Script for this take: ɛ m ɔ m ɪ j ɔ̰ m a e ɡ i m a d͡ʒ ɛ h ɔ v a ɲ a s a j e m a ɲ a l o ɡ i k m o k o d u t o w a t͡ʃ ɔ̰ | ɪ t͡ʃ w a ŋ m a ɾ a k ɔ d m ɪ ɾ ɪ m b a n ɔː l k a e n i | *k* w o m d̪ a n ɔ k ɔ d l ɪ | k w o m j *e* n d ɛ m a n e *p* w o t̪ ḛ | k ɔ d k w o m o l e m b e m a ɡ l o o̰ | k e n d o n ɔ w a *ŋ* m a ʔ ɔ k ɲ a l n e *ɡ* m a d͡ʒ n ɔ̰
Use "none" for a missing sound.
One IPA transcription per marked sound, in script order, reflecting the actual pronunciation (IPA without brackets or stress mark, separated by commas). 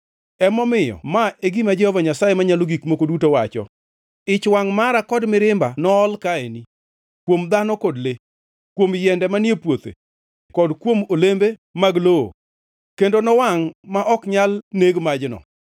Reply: k, ɛ, p, ŋ, ɡ